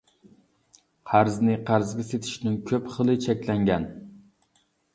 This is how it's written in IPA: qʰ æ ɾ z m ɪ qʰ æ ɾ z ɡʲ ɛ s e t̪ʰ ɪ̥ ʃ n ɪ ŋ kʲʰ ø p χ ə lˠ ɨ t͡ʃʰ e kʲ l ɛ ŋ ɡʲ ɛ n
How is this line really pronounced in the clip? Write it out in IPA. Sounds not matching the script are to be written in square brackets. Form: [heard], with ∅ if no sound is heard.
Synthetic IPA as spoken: qʰ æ ɾ z [n] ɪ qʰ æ ɾ z ɡʲ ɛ s e t̪ʰ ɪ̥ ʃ n ɪ ŋ kʲʰ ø p χ ə lˠ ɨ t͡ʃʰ [ɛ] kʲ l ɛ ŋ ɡʲ ɛ n